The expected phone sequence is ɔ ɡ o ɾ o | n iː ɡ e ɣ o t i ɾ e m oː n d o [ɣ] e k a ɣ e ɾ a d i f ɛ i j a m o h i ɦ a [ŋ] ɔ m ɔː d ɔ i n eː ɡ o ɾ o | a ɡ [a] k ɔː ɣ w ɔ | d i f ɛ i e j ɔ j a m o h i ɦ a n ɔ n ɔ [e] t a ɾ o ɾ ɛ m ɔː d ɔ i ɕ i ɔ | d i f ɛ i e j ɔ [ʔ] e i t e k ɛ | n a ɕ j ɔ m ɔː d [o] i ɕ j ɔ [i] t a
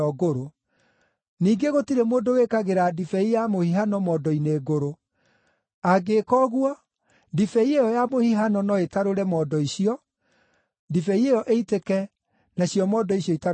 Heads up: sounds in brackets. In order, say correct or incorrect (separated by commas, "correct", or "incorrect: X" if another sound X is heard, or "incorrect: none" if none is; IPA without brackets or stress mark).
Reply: incorrect: w, incorrect: n, incorrect: e, correct, correct, incorrect: ɔ, correct